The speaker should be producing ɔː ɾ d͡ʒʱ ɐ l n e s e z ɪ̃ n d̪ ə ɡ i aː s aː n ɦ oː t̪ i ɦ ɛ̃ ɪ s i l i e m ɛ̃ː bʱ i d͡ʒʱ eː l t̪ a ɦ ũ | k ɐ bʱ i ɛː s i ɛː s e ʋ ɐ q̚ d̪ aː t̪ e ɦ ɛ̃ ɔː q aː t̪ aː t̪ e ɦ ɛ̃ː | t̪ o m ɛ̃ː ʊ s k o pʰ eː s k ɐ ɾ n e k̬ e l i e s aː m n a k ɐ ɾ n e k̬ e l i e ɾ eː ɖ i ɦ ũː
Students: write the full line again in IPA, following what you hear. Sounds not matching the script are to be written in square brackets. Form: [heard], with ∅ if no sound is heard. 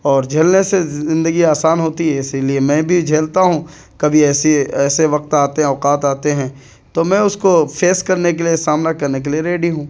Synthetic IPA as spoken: ɔː ɾ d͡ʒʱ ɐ l n e s e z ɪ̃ n d̪ ə ɡ i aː s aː n ɦ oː t̪ i ɦ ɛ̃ ɪ s i l i e m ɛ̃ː bʱ i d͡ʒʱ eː l t̪ a ɦ ũ | k ɐ bʱ i ɛː s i ɛː s e ʋ ɐ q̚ [t̪] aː t̪ e ɦ ɛ̃ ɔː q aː t̪ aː t̪ e ɦ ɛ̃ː | t̪ o m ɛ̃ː ʊ s k o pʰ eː s k ɐ ɾ n e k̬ e l i e s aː m n a k ɐ ɾ n e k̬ e l i e ɾ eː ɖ i ɦ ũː